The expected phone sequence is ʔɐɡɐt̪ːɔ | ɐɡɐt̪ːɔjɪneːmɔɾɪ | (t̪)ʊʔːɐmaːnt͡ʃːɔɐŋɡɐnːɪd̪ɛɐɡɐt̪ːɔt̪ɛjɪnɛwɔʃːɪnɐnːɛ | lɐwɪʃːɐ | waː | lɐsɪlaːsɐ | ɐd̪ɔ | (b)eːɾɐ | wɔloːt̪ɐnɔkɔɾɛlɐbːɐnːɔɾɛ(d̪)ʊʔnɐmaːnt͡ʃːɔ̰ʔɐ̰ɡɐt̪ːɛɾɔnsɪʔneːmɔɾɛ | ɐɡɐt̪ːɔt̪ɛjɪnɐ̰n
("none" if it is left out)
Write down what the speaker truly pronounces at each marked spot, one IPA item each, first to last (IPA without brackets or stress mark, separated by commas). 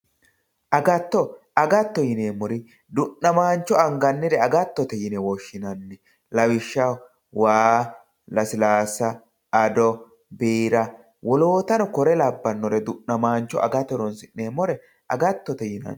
d̪, b, d̪